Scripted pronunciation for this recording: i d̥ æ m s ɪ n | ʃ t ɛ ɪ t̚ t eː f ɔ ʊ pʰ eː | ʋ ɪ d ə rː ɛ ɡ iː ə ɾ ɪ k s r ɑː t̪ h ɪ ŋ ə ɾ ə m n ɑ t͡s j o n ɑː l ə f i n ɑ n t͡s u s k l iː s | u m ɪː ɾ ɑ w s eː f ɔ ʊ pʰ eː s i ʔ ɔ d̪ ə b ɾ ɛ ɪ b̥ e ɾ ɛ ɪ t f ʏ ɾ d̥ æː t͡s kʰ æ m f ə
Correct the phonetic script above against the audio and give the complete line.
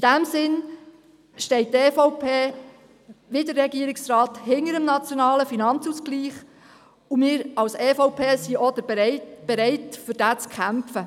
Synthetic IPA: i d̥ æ m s ɪ n | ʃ t ɛ ɪ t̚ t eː f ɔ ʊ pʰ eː | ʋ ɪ d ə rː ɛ ɡ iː ə ɾ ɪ k s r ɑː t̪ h ɪ ŋ ə ɾ ə m n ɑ t͡s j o n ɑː l ə f i n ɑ n t͡s u s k l iː χ | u m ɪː ɾ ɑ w s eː f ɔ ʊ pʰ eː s i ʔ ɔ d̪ ə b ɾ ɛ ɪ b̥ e ɾ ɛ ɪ t f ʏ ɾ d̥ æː t͡s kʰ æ m f ə